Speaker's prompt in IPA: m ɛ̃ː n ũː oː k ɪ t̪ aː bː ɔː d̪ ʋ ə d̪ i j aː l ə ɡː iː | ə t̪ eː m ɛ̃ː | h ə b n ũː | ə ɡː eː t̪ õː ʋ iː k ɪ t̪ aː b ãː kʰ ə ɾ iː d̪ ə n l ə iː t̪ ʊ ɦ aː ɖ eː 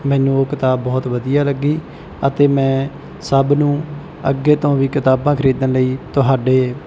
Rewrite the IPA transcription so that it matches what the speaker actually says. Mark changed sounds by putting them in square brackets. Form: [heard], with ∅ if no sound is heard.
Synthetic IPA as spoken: m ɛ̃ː n ũː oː k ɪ t̪ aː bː ɔː [t̪] ʋ ə d̪ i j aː l ə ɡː iː | ə t̪ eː m ɛ̃ː | [s] ə b n ũː | ə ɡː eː t̪ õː ʋ iː k ɪ t̪ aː b ãː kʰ ə ɾ iː d̪ ə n l ə iː t̪ ʊ ɦ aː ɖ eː